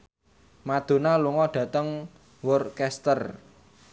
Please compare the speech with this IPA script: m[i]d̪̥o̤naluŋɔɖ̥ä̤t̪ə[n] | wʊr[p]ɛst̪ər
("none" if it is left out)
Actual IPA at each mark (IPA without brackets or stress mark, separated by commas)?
a, ŋ, k